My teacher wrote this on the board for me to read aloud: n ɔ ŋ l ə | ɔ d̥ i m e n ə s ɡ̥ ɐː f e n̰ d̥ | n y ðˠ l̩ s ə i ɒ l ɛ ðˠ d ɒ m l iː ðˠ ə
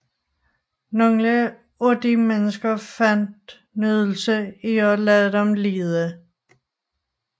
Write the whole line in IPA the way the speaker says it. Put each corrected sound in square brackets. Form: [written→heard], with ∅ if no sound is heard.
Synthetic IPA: n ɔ ŋ l ə | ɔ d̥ i m e n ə s ɡ̥ [ɐː→ɐ] f [e→æ] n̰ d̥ | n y ðˠ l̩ s ə i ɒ l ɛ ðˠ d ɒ m l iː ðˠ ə